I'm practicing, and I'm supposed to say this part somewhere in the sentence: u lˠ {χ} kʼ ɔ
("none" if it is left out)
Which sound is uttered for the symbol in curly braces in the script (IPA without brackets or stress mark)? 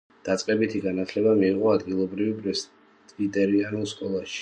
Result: s